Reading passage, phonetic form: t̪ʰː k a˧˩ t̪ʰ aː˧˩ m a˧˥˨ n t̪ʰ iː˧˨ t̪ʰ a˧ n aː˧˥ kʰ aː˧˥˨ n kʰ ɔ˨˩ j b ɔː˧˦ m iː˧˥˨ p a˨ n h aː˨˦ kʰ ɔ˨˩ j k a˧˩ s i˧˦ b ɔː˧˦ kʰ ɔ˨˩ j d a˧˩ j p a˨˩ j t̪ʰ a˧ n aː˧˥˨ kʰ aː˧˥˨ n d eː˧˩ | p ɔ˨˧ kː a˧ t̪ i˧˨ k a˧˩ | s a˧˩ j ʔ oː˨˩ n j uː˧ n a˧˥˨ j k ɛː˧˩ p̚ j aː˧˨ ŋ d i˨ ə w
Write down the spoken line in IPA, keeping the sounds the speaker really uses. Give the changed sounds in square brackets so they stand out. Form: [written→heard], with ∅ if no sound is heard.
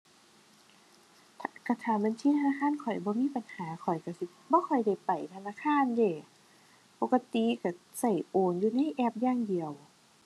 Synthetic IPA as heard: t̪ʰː k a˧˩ t̪ʰ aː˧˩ m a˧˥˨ n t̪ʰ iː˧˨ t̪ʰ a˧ n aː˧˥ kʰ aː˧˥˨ n kʰ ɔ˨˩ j b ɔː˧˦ m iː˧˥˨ p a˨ n h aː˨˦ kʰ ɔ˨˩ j k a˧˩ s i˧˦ b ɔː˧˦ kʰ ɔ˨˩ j d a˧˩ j p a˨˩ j t̪ʰ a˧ n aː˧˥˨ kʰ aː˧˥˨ n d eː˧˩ | p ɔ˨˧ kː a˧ t̪ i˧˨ k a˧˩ | s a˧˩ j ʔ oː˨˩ n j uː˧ n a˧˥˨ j [k→ʔ] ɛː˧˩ p̚ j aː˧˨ ŋ d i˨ ə w